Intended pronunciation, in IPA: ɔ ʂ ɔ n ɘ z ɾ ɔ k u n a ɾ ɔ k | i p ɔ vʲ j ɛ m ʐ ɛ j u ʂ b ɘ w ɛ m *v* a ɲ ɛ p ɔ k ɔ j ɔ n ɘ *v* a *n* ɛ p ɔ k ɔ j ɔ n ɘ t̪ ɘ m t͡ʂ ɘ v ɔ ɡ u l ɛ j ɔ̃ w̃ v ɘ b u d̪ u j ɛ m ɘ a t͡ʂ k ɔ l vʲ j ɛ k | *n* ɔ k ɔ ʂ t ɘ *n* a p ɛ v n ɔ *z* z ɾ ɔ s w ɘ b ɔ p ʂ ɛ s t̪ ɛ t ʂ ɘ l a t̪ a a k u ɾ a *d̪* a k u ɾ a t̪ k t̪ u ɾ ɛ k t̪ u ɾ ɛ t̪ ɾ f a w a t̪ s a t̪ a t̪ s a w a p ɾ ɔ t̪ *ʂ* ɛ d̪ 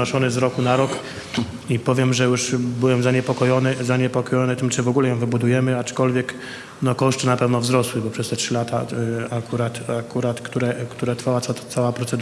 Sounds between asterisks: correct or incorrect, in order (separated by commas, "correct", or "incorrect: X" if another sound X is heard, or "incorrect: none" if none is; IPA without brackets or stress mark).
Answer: incorrect: z, incorrect: z, incorrect: ɲ, correct, correct, incorrect: v, incorrect: t̪, incorrect: s